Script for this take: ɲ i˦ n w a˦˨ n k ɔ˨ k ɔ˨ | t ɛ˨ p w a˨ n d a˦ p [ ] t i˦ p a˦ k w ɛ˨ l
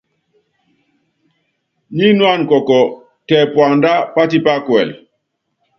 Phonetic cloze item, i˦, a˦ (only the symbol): a˦